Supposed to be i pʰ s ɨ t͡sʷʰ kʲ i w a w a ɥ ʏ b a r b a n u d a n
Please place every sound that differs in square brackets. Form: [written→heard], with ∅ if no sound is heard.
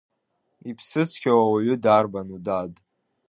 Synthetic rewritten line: i pʰ s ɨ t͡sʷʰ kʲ [i→a] w a w a ɥ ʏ [b→d] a r b a n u d a [n→d]